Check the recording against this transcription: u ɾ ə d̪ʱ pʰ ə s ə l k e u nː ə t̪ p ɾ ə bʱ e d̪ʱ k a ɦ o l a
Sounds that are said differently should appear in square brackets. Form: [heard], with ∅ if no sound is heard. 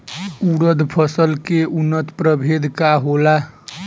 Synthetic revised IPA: u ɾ ə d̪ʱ pʰ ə s ə l k e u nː ə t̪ p ɾ ə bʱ e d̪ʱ k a ɦ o l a